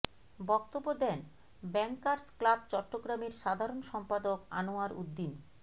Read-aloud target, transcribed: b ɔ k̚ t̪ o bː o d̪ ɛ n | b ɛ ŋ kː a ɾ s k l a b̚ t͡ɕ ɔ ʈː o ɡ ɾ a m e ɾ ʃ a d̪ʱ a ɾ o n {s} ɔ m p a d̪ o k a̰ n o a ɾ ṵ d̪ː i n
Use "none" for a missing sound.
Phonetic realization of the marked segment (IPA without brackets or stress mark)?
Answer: ʃ